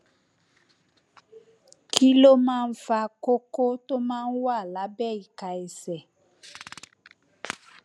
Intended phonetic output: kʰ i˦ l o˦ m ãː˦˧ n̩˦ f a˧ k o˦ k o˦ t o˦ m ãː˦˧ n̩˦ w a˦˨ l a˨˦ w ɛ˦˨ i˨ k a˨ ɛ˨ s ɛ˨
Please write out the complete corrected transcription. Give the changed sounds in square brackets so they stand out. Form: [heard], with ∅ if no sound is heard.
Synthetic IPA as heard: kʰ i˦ l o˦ m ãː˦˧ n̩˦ f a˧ k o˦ k o˦ t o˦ m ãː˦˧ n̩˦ w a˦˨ l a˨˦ [b] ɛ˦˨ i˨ k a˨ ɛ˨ s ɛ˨